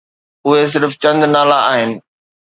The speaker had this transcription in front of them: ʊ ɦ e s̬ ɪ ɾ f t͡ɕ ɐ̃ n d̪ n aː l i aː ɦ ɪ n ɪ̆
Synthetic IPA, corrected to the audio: ʊ ɦ e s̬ ɪ ɾ f t͡ɕ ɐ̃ n d̪ n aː l a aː ɦ ɪ n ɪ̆